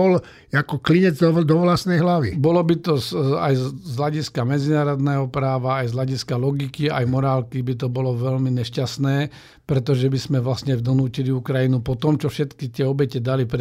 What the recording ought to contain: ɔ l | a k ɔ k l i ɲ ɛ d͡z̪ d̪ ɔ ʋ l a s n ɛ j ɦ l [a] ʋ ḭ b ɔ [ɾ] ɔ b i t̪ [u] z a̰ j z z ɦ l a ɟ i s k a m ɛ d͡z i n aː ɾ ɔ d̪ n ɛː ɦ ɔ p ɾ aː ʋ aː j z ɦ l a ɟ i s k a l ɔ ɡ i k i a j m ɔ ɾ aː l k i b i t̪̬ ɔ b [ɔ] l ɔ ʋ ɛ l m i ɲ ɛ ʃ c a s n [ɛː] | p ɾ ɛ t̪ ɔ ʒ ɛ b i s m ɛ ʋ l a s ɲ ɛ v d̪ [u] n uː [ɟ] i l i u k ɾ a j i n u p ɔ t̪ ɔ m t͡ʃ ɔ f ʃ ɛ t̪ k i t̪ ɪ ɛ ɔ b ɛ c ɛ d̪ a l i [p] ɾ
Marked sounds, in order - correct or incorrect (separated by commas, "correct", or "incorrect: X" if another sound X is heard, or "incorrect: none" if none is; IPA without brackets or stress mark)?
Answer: correct, incorrect: l, incorrect: ɔ, correct, correct, incorrect: ɔ, incorrect: c, correct